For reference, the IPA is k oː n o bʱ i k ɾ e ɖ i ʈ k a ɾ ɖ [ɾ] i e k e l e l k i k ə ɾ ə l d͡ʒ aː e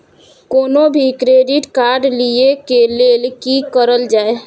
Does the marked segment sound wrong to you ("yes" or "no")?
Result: yes